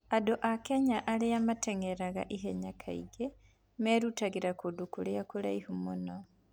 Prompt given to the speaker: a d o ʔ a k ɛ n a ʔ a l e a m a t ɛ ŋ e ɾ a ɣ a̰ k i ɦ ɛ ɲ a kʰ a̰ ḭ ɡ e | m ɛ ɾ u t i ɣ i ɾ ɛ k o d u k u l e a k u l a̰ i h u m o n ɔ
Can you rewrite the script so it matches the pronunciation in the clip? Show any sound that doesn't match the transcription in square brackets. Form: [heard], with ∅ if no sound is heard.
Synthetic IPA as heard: a d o ʔ a k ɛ [ɲ] a ʔ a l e a m a t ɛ ŋ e ɾ a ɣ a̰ [ʔ] i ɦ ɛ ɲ a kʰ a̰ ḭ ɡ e | m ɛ ɾ u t [a] ɣ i ɾ [a] k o d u k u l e a k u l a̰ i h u m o n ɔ